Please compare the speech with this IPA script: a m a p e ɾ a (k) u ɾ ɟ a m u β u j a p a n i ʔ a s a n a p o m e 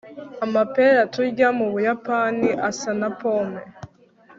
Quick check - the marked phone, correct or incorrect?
incorrect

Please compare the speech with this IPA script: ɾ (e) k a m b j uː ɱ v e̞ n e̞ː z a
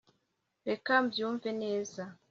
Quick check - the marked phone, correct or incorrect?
correct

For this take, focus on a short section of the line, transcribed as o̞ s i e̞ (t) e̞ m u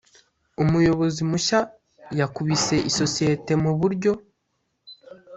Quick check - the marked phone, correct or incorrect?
correct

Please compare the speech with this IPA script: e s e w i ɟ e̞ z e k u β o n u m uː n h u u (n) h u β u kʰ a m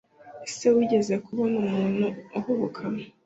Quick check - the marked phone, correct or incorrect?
incorrect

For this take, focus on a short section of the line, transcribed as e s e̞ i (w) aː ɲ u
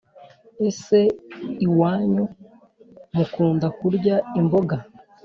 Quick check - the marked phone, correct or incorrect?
correct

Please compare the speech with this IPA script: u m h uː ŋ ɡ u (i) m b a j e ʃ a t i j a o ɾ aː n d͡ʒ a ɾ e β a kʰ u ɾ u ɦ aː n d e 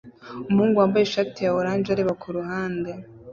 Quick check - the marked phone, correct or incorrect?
incorrect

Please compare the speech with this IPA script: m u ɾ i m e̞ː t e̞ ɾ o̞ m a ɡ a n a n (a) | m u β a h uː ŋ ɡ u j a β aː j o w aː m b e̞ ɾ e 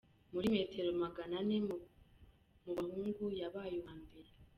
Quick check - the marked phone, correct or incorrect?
incorrect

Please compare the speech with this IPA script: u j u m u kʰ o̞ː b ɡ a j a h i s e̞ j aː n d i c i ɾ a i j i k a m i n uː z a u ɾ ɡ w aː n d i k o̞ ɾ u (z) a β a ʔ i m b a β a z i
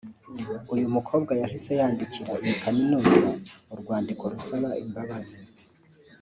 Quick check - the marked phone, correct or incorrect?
incorrect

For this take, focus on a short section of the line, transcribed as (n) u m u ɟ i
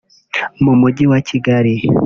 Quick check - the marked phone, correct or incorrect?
incorrect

